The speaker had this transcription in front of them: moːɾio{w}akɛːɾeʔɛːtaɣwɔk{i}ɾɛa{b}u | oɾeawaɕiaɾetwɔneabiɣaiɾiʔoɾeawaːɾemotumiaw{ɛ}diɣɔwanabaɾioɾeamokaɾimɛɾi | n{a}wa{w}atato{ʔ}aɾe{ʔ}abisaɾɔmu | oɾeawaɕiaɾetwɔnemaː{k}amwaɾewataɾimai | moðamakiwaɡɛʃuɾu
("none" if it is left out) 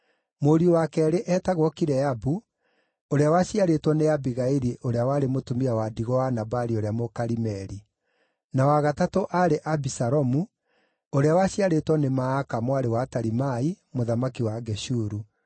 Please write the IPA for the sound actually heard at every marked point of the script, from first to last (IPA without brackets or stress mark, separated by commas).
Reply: w, i, b, a, a, ɣ, ʔ, ʔ, k